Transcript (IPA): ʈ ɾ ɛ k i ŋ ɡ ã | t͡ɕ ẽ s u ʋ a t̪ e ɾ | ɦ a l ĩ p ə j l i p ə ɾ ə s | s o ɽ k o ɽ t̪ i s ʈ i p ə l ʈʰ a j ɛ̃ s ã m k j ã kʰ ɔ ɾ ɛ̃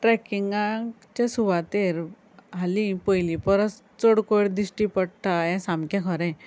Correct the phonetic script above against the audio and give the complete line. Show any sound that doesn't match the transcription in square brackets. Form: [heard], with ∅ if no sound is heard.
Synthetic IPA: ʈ ɾ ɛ k i ŋ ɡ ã | t͡ɕ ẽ s u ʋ a t̪ e ɾ | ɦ a l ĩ p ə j l i p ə ɾ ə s | [t͡s] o ɽ k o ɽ [d̪] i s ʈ i p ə [ɽ] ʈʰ a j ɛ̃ s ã m k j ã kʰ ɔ ɾ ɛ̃